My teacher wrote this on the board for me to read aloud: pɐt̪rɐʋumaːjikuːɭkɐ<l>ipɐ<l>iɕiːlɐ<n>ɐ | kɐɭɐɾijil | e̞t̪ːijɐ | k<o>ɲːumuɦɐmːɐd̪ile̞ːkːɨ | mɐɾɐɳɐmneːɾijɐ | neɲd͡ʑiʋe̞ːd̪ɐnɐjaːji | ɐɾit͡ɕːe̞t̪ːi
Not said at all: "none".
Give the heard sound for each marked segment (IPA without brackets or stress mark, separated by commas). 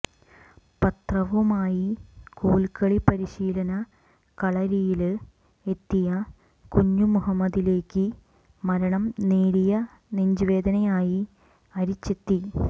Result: ɭ, ɾ, n, u